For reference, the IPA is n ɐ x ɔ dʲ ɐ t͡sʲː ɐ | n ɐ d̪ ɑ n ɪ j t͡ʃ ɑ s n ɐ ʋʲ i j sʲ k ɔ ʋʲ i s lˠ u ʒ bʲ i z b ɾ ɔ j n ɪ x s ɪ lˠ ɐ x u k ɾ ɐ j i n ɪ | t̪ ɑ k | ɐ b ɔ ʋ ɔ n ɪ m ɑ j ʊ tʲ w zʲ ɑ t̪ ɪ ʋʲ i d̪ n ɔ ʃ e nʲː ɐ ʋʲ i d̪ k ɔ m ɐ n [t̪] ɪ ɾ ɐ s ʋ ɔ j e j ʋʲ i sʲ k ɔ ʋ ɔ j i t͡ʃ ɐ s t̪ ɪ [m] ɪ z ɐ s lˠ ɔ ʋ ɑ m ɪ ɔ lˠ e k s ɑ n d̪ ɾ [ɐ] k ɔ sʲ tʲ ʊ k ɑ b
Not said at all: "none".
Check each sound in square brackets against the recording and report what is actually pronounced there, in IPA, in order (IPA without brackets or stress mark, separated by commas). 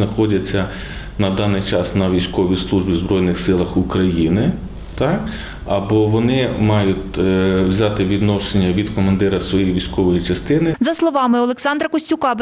d̪, n, ɐ